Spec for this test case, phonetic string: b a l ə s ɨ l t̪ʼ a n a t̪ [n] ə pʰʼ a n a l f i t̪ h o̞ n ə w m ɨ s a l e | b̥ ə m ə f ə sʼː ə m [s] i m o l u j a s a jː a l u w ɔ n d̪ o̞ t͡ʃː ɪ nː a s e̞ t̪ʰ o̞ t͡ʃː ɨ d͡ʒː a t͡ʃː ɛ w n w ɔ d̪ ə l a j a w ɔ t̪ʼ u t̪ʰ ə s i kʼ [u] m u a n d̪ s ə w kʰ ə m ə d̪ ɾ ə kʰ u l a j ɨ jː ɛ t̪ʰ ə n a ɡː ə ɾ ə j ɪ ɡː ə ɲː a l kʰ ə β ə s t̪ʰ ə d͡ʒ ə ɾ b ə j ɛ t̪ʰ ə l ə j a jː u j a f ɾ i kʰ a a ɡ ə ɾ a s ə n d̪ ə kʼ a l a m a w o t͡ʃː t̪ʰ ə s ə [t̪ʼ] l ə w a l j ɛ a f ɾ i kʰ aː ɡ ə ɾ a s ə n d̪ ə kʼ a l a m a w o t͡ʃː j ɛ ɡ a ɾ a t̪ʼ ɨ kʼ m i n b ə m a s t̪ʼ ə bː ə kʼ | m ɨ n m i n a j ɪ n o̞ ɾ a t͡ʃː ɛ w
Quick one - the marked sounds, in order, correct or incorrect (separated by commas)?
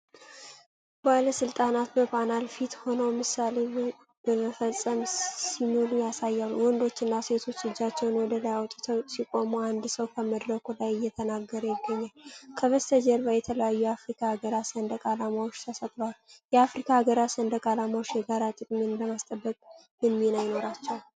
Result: incorrect, correct, incorrect, correct